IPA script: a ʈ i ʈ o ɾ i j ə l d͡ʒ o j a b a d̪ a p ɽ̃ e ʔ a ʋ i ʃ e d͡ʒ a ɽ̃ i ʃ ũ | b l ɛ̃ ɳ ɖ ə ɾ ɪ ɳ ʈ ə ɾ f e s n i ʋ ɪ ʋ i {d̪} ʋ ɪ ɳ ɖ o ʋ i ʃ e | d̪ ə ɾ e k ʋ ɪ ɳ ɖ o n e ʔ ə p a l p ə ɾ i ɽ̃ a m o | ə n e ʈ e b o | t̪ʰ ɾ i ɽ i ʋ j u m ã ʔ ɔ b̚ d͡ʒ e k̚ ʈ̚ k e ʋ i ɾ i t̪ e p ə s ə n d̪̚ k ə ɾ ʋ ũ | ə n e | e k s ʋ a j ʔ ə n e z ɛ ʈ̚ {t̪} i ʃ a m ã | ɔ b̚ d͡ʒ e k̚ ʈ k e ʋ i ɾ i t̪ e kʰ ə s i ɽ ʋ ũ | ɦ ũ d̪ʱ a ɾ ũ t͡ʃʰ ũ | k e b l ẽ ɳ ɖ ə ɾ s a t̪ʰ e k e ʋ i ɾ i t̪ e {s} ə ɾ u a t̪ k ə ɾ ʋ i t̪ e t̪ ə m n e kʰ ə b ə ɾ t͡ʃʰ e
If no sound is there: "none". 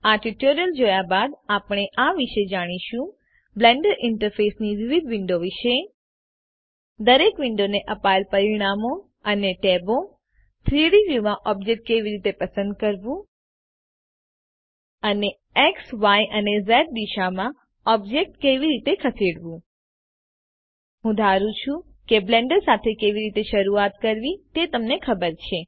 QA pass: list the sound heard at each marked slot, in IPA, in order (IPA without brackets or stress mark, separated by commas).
d̪, d̪, ʃ